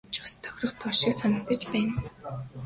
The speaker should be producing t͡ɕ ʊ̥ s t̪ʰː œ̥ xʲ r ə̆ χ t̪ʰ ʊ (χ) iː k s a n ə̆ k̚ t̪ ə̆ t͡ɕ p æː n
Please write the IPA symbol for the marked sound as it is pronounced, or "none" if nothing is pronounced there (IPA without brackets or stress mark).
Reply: ʃ